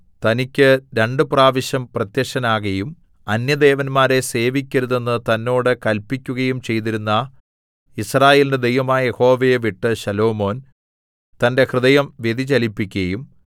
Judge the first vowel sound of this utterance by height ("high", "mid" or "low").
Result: low